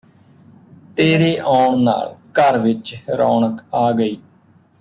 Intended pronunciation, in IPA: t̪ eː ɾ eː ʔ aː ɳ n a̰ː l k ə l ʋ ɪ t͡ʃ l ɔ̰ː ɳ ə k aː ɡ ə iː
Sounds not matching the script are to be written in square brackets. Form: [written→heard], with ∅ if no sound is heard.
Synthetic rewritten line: t̪ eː ɾ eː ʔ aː ɳ n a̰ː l k ə [l→ɾ] ʋ ɪ t͡ʃ [l→ɾ] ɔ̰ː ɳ ə k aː ɡ ə iː